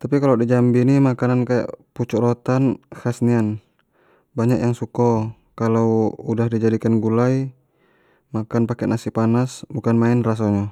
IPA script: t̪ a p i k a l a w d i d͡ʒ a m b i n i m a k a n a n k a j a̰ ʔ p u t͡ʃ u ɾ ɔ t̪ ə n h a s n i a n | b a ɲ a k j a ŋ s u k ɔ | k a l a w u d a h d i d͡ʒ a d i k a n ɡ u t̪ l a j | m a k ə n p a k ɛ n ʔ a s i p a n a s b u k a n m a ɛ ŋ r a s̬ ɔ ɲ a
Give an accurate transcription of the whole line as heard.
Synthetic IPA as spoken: t̪ a p i k a l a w d i d͡ʒ a m b i n i m a k a n a n k a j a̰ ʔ p u t͡ʃ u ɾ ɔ t̪ a n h a s n i a n | b a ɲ a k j a ŋ s u k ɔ | k a l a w u d a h d i d͡ʒ a d i k a n ɡ u l a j | m a k a n p a k ɛ n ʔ a s i p a n a s b u k a n m a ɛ n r a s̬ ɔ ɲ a